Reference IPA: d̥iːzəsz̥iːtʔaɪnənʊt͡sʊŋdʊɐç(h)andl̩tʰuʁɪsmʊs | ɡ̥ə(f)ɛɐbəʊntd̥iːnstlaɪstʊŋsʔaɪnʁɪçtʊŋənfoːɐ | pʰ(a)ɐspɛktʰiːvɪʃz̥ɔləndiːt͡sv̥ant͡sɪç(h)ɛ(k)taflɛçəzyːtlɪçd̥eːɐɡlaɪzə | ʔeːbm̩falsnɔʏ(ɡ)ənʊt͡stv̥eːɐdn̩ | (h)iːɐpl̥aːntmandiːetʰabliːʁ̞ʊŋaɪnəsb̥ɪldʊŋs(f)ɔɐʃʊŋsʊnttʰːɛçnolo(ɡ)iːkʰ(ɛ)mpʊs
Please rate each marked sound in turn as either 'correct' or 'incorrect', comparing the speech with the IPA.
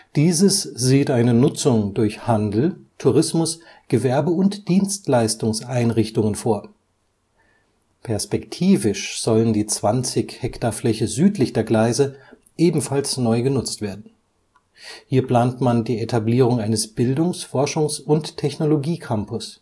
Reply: correct, incorrect: v, incorrect: ɛ, correct, correct, correct, correct, correct, correct, incorrect: a

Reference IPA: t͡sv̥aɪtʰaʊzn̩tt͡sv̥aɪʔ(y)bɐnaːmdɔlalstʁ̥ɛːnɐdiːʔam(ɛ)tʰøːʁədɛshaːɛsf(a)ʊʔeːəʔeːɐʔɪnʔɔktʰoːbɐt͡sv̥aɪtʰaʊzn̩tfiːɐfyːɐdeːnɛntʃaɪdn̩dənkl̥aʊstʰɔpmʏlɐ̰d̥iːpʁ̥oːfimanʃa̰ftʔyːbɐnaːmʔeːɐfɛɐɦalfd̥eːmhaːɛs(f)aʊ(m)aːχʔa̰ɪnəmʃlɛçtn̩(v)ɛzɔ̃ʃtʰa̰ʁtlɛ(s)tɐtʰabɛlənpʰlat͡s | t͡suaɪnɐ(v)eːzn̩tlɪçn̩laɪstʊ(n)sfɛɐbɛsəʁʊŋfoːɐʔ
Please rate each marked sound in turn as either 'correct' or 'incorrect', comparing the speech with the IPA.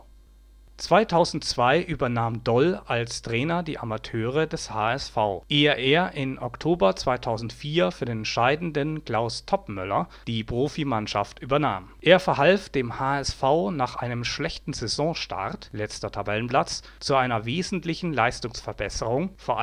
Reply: incorrect: yː, incorrect: a, correct, correct, incorrect: n, incorrect: z, incorrect: t͡s, correct, incorrect: ŋ

